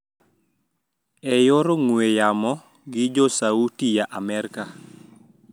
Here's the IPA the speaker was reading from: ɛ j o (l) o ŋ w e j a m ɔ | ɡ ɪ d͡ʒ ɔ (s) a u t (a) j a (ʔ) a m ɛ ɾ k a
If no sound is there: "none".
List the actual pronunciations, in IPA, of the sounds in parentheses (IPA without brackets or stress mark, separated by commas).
ɾ, s, i, ʔ